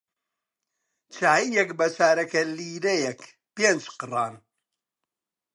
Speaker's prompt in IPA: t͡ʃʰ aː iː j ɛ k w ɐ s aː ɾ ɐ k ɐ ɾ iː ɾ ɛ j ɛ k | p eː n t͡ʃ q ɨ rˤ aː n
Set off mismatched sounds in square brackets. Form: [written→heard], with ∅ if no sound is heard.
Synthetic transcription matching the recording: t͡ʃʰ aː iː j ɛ k [w→b] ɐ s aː ɾ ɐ k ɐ [ɾ→l] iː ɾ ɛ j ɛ k | p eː n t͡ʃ q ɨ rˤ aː n